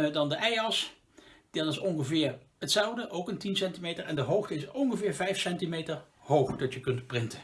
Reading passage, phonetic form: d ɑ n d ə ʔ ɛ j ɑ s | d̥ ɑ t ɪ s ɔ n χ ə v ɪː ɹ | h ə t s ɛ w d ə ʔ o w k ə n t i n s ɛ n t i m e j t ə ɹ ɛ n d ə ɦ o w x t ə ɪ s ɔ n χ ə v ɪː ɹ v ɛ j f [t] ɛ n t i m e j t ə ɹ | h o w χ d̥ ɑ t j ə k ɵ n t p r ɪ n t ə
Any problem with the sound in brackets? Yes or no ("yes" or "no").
yes